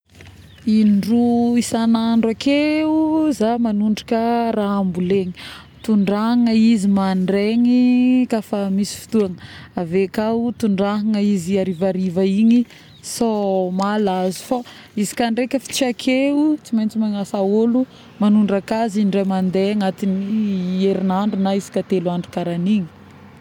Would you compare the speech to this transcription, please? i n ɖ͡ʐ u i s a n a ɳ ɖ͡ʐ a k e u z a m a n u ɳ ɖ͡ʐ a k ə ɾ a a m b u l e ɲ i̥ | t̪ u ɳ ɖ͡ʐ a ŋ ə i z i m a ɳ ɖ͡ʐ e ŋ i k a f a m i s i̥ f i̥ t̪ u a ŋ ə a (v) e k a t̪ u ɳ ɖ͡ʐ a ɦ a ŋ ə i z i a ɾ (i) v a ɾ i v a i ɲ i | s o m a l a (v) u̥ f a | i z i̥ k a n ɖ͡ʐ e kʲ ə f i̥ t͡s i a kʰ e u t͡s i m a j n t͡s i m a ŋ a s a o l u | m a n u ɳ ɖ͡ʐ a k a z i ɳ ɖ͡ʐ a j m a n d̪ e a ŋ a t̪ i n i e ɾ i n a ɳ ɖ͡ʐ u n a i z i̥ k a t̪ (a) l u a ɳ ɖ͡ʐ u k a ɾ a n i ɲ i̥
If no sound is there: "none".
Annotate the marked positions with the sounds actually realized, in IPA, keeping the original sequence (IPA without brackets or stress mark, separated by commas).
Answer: v, i, z, e